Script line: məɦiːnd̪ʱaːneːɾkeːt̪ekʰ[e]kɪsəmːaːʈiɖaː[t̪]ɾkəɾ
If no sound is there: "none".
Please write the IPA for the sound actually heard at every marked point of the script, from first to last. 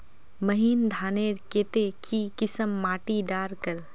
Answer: i, none

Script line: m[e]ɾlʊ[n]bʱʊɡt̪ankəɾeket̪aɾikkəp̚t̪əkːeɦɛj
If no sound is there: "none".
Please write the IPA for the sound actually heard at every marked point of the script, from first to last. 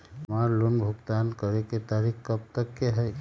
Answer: a, n

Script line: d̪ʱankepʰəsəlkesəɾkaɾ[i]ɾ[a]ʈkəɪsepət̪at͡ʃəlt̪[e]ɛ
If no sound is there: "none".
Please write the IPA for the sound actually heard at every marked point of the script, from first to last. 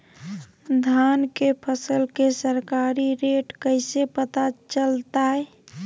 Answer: i, e, a

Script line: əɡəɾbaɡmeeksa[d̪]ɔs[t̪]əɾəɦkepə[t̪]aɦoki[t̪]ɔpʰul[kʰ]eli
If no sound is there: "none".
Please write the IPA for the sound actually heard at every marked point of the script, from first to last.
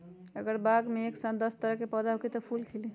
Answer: d̪, t̪, d̪, t̪, kʰ

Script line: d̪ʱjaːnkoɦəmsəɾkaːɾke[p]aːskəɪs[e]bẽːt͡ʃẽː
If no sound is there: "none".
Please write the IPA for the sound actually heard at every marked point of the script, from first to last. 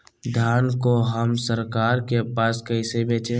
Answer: p, e

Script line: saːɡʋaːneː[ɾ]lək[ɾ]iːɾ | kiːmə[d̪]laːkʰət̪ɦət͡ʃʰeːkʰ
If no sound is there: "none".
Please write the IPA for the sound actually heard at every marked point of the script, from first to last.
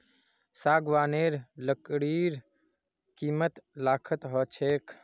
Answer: ɾ, ɽ, t̪

